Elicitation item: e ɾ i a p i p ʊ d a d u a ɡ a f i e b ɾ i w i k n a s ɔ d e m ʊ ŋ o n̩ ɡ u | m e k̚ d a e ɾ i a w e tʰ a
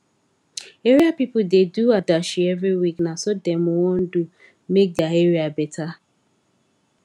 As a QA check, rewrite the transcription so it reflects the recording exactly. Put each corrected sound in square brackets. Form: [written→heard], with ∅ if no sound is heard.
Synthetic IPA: e ɾ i a p i p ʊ d [a→e] d u a [ɡ→d] a [f→ʃ] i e [b→v] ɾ i w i k n a s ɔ d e m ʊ ŋ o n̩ [ɡ→d] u | m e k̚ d a e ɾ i a [w→b] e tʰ a